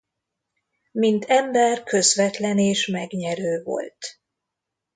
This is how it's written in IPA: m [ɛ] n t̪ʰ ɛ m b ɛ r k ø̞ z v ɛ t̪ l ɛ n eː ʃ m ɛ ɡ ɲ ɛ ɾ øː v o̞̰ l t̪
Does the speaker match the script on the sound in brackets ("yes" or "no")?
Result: no